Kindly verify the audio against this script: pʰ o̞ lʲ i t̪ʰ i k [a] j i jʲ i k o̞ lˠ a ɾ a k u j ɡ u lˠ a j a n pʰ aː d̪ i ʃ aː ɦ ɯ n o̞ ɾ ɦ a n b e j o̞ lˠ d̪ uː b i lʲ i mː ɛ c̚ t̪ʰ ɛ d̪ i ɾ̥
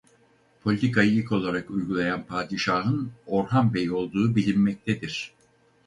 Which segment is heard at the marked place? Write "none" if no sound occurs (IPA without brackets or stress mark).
a